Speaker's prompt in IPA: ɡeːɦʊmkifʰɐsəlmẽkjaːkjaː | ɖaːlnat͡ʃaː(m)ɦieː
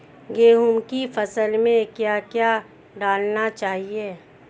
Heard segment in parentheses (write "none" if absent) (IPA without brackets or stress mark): none